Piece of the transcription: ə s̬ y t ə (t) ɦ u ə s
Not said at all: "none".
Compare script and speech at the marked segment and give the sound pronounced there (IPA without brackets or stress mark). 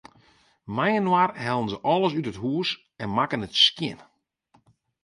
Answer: t